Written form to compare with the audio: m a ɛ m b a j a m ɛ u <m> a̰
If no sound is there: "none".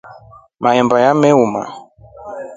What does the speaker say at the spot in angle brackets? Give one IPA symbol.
m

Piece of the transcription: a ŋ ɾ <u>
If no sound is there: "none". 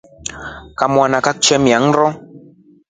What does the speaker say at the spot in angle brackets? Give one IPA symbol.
ɔ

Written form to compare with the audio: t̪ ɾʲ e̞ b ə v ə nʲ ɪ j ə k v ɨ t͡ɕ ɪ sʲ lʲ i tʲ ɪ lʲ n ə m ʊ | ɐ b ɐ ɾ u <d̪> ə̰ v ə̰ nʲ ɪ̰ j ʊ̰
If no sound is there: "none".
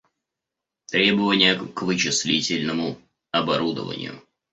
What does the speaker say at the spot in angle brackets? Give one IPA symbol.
d̪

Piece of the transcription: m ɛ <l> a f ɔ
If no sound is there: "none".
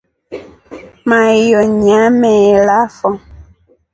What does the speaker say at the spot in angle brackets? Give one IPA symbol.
l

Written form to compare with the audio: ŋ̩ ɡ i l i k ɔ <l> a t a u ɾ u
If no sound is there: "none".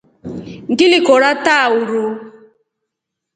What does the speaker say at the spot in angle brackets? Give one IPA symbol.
ɾ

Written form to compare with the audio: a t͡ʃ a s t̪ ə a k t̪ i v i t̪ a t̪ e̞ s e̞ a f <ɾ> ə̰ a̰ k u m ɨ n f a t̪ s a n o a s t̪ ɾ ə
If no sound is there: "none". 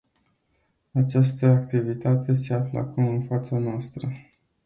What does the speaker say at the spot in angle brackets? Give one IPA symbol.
l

